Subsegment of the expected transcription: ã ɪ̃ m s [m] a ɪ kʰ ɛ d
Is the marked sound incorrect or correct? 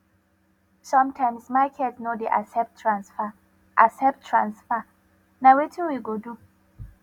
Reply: correct